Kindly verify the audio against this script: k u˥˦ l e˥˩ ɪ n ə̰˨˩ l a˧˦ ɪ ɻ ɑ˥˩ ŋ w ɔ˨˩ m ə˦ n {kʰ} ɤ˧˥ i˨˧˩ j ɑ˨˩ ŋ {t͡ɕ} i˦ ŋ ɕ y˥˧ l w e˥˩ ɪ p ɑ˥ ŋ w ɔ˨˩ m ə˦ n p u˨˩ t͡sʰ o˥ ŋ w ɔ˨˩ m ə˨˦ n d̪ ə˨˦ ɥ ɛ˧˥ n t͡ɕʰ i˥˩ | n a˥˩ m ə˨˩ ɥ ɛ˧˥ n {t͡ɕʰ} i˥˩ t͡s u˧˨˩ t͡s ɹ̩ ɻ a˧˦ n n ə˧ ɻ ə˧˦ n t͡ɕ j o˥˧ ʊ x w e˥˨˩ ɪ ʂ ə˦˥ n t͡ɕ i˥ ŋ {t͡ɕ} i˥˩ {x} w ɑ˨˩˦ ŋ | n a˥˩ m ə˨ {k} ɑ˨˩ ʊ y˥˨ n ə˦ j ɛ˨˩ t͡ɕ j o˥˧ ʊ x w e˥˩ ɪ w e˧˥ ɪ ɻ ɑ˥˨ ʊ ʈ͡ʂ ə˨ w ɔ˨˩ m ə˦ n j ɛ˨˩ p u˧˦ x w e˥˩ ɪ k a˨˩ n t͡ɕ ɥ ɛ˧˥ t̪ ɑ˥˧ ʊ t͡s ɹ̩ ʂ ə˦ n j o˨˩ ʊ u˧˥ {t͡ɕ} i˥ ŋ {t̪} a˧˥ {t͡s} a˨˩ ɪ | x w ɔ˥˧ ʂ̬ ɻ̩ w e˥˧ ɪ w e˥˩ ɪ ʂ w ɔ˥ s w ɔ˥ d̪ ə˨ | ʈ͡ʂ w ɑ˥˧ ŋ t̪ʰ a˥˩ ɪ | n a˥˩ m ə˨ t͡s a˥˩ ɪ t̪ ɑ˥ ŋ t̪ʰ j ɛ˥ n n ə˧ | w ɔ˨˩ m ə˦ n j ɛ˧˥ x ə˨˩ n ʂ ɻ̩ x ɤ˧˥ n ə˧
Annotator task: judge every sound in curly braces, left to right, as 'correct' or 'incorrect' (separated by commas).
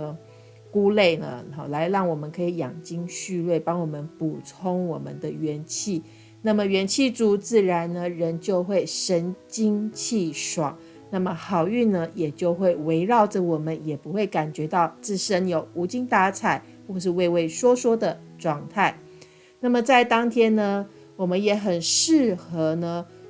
correct, correct, correct, incorrect, incorrect, incorrect, correct, correct, incorrect